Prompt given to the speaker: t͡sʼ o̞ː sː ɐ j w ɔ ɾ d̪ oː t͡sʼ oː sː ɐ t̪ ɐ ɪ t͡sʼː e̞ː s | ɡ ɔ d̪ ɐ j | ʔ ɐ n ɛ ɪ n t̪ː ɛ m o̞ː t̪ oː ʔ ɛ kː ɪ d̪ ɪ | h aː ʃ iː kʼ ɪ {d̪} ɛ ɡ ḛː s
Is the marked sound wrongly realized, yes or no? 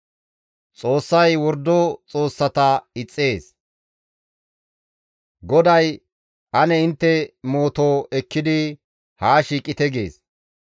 yes